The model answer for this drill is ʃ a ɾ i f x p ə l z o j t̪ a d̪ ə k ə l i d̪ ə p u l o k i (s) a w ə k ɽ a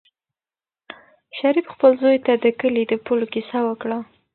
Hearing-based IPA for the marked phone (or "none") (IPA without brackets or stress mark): s